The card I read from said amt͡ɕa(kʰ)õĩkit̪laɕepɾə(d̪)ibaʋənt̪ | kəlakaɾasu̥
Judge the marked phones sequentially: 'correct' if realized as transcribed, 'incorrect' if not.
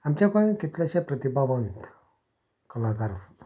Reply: incorrect, incorrect

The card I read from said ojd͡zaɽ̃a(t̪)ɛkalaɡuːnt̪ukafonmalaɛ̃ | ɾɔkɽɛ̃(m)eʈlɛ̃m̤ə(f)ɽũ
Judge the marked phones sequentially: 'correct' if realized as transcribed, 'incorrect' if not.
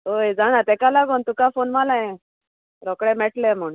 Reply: correct, correct, incorrect

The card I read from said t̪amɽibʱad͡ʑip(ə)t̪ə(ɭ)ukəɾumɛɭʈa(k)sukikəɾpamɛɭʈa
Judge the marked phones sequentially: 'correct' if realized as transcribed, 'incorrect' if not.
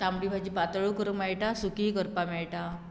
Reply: incorrect, correct, incorrect

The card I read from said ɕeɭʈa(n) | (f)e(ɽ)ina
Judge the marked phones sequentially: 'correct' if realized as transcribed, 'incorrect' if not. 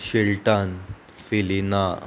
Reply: correct, correct, incorrect

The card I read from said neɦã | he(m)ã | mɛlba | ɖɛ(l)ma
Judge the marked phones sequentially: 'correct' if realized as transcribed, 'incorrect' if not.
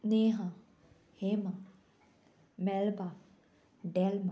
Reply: correct, correct

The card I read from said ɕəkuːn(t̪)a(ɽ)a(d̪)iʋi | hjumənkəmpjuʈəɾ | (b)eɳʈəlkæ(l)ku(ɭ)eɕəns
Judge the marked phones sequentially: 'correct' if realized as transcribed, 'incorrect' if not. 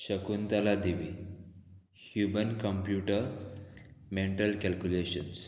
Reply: correct, incorrect, correct, incorrect, correct, incorrect

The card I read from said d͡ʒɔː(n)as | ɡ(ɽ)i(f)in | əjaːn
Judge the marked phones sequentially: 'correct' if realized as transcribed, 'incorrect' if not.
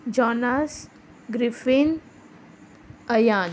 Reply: correct, incorrect, correct

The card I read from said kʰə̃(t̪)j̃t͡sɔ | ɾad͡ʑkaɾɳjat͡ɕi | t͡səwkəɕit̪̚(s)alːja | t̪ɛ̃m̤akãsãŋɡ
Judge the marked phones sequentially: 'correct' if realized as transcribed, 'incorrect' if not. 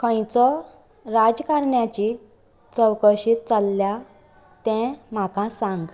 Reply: incorrect, incorrect

